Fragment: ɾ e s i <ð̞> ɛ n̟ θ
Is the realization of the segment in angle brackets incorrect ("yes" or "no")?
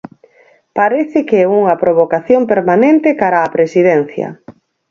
no